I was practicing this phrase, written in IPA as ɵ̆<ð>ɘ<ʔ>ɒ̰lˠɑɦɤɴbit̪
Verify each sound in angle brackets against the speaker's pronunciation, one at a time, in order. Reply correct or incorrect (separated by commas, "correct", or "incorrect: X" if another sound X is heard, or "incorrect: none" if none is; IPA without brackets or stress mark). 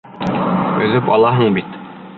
correct, incorrect: p